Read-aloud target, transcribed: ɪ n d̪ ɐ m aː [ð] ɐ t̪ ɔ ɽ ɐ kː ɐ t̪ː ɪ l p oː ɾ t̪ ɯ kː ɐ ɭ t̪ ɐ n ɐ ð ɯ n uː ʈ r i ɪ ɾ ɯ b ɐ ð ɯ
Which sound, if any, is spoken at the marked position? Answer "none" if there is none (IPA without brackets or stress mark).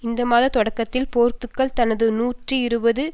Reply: ð